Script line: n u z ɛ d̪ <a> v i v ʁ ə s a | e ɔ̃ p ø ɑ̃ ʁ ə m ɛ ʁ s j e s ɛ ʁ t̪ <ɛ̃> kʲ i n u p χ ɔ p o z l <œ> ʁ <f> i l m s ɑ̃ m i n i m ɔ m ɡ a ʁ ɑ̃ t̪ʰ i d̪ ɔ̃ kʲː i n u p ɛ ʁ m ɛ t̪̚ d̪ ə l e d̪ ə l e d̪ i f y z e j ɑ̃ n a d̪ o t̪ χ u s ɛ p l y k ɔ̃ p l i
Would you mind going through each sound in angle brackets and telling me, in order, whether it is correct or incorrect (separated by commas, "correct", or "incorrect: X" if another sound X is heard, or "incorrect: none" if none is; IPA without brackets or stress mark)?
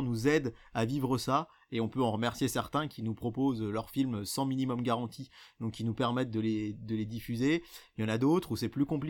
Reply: correct, correct, correct, correct